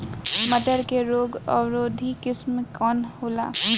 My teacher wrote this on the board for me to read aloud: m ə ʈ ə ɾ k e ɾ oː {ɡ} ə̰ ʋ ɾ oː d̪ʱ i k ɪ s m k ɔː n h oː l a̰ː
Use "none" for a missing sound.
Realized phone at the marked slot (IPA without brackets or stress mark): ɡ